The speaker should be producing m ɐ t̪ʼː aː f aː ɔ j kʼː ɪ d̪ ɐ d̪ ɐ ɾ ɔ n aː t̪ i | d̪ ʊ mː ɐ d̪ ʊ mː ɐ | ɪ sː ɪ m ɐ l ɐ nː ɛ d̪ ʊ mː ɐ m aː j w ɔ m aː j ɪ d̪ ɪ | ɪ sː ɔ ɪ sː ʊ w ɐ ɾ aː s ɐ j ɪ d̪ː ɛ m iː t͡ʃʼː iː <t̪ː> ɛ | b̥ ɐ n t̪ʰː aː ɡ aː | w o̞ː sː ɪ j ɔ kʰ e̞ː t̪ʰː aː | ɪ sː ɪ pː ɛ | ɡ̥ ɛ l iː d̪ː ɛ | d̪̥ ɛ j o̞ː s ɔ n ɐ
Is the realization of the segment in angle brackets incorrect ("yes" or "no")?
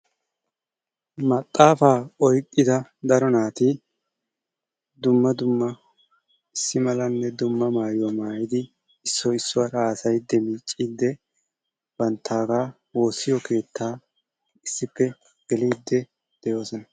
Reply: yes